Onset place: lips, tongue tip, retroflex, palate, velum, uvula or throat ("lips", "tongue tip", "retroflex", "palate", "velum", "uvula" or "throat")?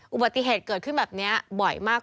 throat